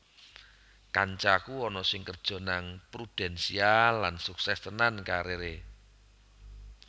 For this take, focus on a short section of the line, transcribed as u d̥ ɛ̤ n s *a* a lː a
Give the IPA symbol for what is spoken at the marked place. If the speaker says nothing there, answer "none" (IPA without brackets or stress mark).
i